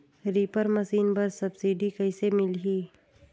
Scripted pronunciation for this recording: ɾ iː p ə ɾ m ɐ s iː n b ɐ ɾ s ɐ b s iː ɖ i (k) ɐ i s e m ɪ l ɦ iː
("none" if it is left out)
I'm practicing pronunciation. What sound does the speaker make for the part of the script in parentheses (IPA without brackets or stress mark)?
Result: k